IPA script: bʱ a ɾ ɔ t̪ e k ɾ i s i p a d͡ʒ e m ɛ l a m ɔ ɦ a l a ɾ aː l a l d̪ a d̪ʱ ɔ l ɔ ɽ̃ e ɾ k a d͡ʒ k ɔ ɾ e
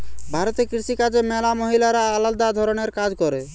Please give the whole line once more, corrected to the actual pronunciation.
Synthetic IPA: bʱ a ɾ ɔ t̪ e k ɾ i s i k a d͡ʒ e m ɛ l a m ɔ ɦ i l a ɾ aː l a l d̪ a d̪ʱ ɔ ɾ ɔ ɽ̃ e ɾ k a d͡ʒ k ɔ ɾ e